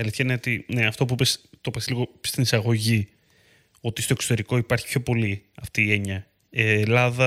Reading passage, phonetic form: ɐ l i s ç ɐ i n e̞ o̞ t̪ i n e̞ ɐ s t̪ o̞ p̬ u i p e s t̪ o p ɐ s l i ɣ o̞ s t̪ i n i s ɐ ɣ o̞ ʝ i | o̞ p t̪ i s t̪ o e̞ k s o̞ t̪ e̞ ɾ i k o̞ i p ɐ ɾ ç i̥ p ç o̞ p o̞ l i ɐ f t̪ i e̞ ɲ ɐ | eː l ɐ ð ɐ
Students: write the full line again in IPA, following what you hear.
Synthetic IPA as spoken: ɐ l i θ ç ɐ i n e̞ o̞ t̪ i n e̞ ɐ f t̪ o̞ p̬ u i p e s t̪ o p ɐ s l i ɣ o̞ s t̪ i n i s ɐ ɣ o̞ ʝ i | o̞ t̪ i s t̪ o e̞ k s o̞ t̪ e̞ ɾ i k o̞ i p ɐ ɾ ç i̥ p ç o̞ p o̞ l i ɐ f t̪ iː e̞ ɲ ɐ | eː l ɐ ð ɐ